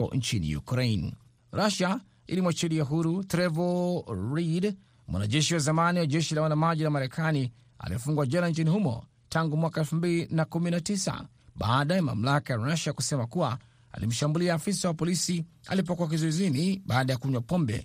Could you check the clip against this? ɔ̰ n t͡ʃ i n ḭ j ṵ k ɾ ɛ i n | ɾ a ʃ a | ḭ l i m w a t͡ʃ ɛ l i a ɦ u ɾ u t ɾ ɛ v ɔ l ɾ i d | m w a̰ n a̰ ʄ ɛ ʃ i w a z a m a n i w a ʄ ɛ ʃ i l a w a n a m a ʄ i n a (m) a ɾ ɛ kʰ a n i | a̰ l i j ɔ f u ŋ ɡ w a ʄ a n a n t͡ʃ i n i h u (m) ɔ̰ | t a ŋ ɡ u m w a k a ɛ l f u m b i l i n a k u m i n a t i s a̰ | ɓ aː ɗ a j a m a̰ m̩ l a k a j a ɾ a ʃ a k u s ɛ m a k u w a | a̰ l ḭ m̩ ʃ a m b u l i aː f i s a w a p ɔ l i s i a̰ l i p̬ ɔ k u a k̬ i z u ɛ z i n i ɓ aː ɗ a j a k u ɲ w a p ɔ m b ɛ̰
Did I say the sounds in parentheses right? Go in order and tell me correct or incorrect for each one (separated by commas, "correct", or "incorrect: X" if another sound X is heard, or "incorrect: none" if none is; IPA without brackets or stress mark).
correct, correct